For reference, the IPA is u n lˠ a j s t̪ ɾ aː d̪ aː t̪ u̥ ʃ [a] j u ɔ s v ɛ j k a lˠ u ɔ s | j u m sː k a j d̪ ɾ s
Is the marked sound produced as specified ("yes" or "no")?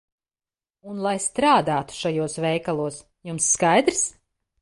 yes